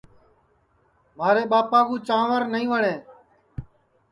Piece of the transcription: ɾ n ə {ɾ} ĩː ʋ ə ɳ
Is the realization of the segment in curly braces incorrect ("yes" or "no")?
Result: yes